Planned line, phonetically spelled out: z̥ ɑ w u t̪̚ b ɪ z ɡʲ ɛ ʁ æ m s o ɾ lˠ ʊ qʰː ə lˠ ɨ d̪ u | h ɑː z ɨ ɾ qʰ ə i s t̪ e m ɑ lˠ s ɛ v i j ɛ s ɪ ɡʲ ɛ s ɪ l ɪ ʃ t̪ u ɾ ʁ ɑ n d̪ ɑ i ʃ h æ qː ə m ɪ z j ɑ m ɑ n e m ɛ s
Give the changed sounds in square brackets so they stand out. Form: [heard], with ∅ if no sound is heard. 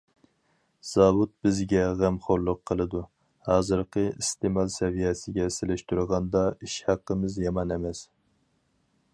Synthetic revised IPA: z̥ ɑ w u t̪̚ b ɪ z ɡʲ ɛ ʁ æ m [χ] o ɾ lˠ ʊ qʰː ə lˠ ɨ d̪ u | h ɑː z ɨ ɾ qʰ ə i s t̪ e m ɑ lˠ s ɛ v i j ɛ s ɪ ɡʲ ɛ s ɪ l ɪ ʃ t̪ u ɾ ʁ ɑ n d̪ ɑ i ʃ h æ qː ə m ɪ z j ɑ m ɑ n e m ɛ s